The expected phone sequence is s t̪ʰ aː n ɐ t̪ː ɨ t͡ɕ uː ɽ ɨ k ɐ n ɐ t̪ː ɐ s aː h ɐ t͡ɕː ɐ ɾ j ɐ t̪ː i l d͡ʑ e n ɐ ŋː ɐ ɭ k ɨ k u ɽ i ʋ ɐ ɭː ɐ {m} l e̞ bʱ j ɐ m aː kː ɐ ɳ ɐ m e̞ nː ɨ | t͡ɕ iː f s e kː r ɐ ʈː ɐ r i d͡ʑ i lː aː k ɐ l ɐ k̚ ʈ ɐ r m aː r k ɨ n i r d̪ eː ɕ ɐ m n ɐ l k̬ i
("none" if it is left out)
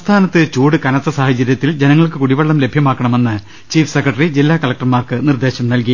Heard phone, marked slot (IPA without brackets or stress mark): m